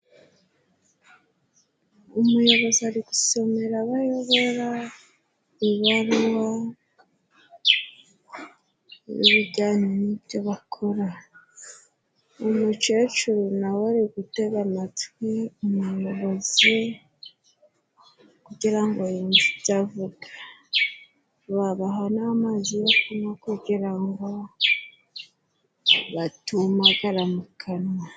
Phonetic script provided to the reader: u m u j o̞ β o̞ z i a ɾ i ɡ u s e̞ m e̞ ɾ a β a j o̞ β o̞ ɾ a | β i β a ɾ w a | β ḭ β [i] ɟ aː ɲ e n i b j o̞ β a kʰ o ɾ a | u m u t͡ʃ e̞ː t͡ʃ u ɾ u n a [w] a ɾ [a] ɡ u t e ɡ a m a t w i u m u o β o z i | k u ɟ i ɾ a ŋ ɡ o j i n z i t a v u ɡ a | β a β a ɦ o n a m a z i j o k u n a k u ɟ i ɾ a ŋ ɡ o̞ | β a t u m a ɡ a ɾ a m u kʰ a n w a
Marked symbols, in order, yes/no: yes, yes, no

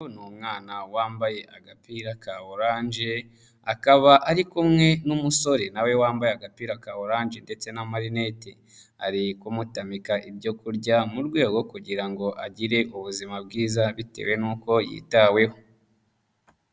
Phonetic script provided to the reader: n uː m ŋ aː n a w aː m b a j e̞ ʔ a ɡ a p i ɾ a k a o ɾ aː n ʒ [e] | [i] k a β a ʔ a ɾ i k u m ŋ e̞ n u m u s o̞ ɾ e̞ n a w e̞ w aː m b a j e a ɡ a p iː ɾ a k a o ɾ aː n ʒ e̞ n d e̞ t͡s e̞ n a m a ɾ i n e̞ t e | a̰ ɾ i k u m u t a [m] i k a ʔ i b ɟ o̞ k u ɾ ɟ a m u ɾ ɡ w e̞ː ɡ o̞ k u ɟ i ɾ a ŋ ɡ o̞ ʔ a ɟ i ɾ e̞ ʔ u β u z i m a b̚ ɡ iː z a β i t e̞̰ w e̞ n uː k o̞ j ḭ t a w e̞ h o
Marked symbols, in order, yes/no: yes, no, yes

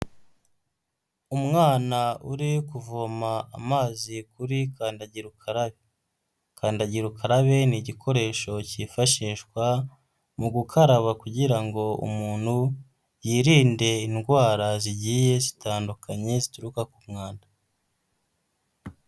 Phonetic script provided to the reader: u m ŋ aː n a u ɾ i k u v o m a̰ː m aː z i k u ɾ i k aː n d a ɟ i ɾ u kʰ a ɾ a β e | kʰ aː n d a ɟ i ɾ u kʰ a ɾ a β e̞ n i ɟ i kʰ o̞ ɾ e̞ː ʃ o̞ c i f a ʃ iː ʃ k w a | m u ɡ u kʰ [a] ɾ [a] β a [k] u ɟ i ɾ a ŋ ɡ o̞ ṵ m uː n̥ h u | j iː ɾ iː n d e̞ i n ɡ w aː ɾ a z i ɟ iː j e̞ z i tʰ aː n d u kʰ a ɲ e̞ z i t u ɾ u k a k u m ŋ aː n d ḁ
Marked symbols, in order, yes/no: yes, yes, yes

